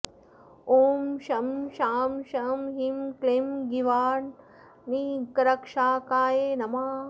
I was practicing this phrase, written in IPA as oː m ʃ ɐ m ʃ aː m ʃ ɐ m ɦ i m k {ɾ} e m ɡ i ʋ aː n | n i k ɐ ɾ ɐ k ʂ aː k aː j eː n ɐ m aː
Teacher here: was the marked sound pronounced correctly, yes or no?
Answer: no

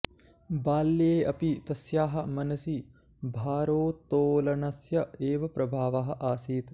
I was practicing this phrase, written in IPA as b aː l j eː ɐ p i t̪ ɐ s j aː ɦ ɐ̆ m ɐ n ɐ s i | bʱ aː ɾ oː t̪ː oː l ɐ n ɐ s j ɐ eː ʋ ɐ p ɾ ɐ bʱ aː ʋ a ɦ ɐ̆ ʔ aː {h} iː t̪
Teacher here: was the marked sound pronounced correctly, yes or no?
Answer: no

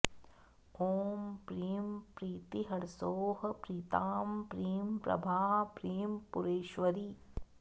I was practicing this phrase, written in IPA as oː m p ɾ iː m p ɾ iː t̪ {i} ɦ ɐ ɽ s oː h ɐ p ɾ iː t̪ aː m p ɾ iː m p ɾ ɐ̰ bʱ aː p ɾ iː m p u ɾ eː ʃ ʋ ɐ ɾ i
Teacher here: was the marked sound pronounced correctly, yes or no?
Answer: yes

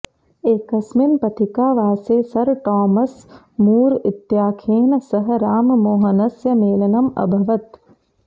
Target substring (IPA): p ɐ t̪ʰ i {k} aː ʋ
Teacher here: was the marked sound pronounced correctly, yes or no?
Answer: yes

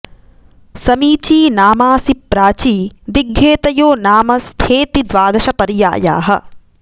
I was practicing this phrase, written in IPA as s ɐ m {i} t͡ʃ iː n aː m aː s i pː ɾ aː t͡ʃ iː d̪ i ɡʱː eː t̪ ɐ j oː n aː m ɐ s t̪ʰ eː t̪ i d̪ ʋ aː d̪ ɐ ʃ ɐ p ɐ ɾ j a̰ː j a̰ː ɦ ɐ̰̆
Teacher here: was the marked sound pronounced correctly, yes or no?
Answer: no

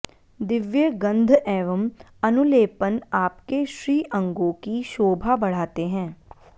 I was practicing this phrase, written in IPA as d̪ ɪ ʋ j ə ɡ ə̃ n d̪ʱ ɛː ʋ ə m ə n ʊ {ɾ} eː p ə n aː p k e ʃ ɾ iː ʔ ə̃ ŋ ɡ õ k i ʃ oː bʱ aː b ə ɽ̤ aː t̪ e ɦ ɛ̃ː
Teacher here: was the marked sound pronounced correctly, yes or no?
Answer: no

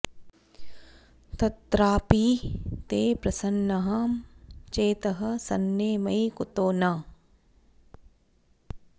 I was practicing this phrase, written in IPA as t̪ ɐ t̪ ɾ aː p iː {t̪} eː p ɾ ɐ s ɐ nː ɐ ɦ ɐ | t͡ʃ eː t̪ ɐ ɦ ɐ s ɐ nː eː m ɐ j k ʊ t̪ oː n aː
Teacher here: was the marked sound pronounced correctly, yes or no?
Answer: yes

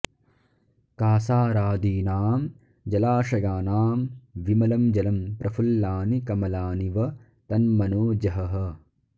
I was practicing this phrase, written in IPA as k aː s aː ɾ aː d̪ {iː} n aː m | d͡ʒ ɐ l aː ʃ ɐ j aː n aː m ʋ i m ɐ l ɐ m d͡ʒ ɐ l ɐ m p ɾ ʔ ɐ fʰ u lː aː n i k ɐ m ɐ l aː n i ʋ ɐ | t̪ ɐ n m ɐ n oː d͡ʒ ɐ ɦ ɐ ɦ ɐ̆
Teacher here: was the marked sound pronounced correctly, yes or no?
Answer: yes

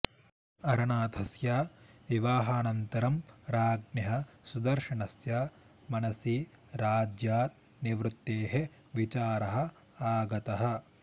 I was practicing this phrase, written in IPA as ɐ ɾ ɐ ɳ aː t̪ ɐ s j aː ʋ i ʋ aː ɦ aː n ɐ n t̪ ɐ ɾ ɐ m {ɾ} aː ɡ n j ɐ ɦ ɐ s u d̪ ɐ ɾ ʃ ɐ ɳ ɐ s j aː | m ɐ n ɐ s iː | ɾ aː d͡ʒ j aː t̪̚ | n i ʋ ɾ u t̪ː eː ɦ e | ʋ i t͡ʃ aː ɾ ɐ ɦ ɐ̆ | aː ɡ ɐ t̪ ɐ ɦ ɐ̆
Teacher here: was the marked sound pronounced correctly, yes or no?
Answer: yes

